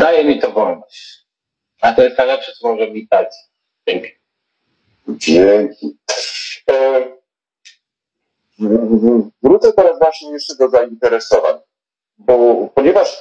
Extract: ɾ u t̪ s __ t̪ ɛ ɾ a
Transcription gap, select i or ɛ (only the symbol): ɛ